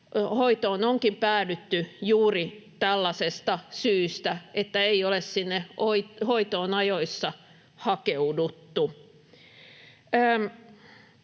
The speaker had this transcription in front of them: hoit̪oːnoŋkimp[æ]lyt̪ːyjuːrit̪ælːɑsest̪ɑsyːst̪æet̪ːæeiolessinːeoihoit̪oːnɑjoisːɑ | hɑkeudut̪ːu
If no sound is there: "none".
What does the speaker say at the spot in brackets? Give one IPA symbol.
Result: æː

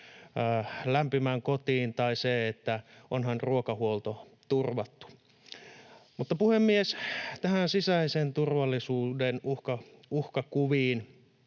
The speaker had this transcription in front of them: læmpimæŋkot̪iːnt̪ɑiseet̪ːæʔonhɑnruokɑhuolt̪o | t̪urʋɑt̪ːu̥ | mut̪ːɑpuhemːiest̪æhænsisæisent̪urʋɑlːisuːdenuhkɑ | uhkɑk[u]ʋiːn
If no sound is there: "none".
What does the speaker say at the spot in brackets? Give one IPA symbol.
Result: u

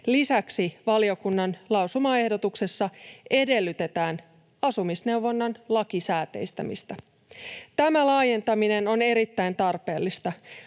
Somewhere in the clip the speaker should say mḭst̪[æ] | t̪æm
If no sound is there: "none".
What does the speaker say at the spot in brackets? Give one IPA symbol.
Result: æ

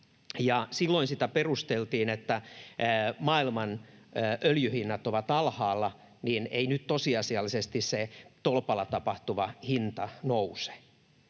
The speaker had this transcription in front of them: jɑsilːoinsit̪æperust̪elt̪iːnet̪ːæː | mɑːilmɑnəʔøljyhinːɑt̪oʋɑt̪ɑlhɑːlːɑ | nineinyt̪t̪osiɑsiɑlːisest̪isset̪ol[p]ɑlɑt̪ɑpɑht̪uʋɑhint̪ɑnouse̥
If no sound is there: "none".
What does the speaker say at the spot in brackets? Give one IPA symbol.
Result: p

